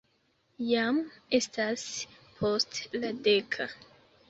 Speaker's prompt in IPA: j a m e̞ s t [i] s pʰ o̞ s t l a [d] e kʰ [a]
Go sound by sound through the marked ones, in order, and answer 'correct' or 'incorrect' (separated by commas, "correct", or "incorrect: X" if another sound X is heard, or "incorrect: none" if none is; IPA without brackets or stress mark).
incorrect: a, correct, correct